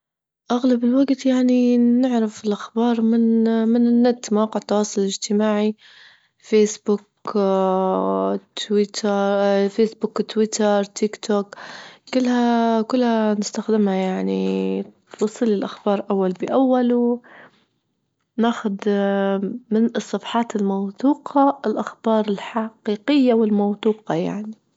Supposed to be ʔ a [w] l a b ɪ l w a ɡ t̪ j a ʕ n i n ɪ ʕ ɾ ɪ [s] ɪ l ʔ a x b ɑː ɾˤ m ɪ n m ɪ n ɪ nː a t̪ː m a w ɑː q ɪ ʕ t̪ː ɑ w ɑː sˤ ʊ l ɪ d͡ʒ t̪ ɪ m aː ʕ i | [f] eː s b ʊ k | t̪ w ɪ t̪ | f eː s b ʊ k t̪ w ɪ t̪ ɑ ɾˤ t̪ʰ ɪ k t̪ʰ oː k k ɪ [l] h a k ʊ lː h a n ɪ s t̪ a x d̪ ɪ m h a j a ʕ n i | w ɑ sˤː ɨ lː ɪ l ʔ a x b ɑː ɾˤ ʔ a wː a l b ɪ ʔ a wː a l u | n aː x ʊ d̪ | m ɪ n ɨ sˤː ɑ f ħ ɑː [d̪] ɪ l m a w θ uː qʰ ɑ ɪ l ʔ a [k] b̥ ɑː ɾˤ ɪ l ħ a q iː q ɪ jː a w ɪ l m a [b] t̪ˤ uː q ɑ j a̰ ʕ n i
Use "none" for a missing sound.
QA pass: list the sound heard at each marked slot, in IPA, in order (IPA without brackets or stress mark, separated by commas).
ɣ, f, f, lː, t̪, x, w